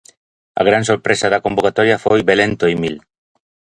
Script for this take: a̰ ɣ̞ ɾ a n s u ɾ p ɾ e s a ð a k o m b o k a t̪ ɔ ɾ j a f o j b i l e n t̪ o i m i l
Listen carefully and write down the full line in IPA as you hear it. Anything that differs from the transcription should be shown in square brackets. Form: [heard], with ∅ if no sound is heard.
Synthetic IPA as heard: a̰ ɣ̞ ɾ a n s [o] ɾ p ɾ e s a ð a k o m b o k a t̪ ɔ ɾ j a f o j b [e] l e n t̪ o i m i l